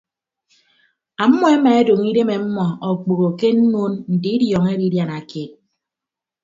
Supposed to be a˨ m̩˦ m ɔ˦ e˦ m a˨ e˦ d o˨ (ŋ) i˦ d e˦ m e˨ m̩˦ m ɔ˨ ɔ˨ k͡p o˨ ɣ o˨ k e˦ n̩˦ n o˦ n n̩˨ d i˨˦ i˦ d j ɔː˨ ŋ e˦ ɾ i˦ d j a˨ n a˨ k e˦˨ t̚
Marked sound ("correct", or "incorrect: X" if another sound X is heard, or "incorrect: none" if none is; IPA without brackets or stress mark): correct